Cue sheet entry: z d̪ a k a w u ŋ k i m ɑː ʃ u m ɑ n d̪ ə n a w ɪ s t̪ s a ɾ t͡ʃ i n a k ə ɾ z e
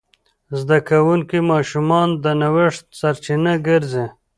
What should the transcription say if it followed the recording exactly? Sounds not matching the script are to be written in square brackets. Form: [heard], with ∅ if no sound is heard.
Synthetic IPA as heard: z d̪ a k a w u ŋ k i m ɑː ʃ u m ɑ n d̪ ə n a w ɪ [ʂ] t̪ s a ɾ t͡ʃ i n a [ɡ] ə ɾ z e

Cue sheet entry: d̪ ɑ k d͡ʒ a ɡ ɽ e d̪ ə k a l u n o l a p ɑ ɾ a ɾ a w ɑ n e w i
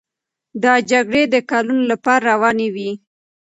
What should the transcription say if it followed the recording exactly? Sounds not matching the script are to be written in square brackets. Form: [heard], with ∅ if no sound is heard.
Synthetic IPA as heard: d̪ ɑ [∅] d͡ʒ a ɡ ɽ e d̪ ə k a l u n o l a p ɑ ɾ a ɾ a w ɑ n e w i

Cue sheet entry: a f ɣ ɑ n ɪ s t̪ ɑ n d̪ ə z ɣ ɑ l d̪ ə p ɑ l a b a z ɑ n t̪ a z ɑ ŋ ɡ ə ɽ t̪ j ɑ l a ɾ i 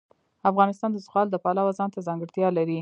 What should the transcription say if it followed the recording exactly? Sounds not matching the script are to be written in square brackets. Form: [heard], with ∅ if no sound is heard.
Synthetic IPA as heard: a f ɣ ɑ n ɪ s t̪ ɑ n d̪ ə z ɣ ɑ l d̪ ə p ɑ l a [w] a z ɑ n t̪ a z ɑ ŋ ɡ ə ɽ t̪ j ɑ l a ɾ i

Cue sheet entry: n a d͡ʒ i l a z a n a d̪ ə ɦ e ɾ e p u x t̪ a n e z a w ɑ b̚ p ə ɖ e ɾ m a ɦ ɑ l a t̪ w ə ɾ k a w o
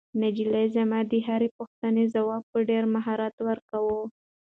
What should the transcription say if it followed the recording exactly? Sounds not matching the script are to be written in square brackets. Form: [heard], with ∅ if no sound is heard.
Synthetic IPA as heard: n a d͡ʒ i l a z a [m] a d̪ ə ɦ [a] ɾ e p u x t̪ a n e z a w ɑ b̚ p ə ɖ e ɾ m a ɦ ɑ [ɾ] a t̪ w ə ɾ k a w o

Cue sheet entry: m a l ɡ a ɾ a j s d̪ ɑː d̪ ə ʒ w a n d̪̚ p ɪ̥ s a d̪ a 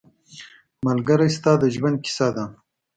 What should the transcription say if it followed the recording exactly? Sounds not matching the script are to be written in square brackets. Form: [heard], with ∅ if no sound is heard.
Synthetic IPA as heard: m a l ɡ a ɾ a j s [t̪] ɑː d̪ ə ʒ w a n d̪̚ [k] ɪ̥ s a d̪ a

